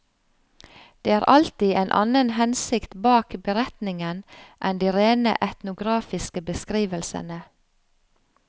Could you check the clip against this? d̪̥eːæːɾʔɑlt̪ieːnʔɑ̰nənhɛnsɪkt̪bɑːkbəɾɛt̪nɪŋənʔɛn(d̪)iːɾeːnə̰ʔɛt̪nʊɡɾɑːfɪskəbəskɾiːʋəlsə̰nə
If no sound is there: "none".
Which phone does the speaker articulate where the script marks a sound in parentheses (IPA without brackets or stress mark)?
d̪